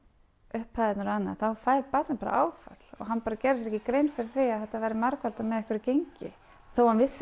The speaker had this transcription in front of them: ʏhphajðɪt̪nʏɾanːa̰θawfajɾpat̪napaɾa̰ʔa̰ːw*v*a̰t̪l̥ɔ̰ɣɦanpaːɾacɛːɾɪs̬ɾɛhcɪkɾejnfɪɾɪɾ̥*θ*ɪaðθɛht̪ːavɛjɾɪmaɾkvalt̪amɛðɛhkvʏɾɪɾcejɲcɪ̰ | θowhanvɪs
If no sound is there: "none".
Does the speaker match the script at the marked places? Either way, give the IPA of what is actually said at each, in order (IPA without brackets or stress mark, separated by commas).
f, θ